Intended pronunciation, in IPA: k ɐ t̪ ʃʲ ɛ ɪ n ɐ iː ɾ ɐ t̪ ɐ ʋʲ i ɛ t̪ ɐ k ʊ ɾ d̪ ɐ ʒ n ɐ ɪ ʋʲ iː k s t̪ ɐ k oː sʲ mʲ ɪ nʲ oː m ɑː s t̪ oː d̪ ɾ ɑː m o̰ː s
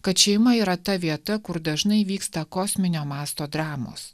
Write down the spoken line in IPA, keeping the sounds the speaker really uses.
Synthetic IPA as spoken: k ɐ t̪ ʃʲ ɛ ɪ m ɐ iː ɾ ɐ t̪ ɐ ʋʲ i ɛ t̪ ɐ k ʊ ɾ d̪ ɐ ʒ n ɐ ɪ ʋʲ iː k s t̪ ɐ k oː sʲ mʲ ɪ nʲ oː m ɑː s t̪ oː d̪ ɾ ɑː m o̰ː s